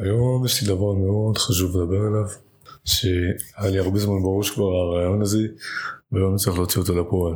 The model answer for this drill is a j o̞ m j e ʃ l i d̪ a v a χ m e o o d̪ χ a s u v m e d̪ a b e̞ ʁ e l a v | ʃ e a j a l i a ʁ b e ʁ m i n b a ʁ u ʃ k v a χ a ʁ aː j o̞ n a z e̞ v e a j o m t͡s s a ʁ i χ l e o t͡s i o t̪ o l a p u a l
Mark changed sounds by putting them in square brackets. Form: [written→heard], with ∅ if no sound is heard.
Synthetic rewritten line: a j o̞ m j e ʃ l i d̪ a v a [χ→ʁ] m e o o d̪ χ a [s→ʃ] u v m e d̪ a b e̞ ʁ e l a v | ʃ e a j a l i a ʁ b e [ʁ→z] m [i→a] n b a ʁ u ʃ k v a [χ→ʁ] a ʁ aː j o̞ n a z e̞ v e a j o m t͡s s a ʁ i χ l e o t͡s i o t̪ o l a p [u→o] a l